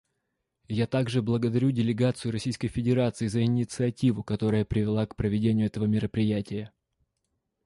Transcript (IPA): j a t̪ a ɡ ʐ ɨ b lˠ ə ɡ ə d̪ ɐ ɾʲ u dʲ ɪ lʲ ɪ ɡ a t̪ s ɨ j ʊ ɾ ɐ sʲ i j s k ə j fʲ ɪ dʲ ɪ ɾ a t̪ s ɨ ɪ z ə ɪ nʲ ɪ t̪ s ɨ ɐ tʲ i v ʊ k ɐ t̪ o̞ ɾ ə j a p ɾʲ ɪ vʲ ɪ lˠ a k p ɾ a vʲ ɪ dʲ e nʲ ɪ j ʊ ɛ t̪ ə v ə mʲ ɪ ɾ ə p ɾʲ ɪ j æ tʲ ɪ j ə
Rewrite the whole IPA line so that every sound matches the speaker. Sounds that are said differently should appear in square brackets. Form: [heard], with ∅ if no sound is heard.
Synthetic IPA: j a t̪ a ɡ ʐ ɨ b lˠ ə ɡ ə d̪ ɐ ɾʲ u dʲ ɪ lʲ ɪ ɡ a t̪ s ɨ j ʊ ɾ ɐ sʲ i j s k ə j fʲ ɪ dʲ ɪ ɾ a t̪ s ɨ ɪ z ə ɪ nʲ ɪ t̪ s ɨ ɐ tʲ i v ʊ k ɐ t̪ o̞ ɾ ə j [ə] p ɾʲ ɪ vʲ ɪ lˠ a k p ɾ [ə] vʲ ɪ dʲ e nʲ ɪ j ʊ ɛ t̪ ə v ə mʲ ɪ ɾ ə p ɾʲ ɪ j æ tʲ ɪ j ə